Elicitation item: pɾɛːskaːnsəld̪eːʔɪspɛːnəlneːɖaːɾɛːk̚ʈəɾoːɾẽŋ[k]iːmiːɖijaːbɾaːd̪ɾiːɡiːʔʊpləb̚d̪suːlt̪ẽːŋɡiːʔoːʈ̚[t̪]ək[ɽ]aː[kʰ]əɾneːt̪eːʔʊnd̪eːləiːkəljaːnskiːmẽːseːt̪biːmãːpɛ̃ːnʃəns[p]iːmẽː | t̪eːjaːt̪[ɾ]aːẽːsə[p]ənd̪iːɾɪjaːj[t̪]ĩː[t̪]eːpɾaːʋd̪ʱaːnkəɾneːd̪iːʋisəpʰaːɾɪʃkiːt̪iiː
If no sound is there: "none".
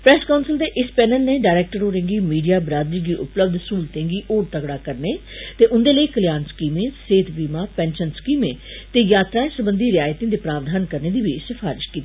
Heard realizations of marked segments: ɡ, t̪, ɽ, k, k, ɾ, b, t̪, d̪

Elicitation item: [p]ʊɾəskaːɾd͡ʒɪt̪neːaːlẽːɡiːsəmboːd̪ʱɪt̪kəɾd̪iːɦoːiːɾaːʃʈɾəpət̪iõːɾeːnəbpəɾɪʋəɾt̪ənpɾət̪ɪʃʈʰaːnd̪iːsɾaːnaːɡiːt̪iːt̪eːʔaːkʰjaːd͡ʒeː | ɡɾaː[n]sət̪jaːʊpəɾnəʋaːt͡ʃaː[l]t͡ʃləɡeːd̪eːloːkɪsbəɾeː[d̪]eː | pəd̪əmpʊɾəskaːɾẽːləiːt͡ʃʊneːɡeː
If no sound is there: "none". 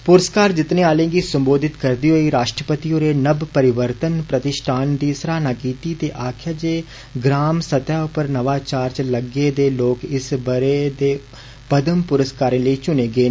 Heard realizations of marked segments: p, m, ɾ, d̪

